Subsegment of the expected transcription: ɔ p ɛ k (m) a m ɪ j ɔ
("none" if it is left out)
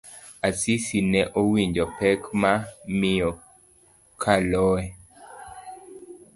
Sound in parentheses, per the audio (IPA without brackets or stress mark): m